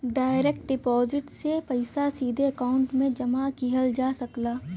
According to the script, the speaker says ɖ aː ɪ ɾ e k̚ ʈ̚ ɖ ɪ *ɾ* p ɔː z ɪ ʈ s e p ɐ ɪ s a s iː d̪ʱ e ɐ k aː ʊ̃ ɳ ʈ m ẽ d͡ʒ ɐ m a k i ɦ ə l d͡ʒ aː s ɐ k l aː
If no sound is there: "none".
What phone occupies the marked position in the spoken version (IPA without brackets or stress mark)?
none